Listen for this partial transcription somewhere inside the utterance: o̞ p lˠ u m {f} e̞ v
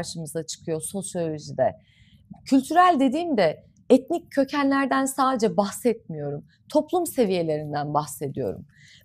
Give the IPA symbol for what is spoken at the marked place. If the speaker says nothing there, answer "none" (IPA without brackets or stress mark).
s